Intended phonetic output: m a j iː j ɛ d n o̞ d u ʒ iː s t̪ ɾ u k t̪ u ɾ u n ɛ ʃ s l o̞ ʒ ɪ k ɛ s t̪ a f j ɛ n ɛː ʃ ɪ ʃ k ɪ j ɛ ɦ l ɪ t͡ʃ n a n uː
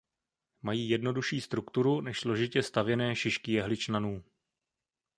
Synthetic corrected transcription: m a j iː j ɛ d n o̞ d u ʃ iː s t̪ ɾ u k t̪ u ɾ u n ɛ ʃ s l o̞ ʒ ɪ c ɛ s t̪ a v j ɛ n ɛː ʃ ɪ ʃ k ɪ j ɛ ɦ l ɪ t͡ʃ n a n uː